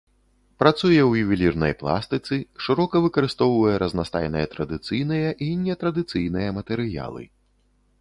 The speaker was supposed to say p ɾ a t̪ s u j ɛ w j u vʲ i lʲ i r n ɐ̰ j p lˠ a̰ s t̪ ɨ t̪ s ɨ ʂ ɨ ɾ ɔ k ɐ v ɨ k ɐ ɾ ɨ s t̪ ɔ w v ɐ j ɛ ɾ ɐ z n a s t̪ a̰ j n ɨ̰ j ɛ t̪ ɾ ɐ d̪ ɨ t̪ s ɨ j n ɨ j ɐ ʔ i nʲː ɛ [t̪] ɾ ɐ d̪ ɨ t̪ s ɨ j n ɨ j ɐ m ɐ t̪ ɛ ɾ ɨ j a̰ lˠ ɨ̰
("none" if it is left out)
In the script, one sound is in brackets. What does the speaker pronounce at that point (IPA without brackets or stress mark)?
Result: t̪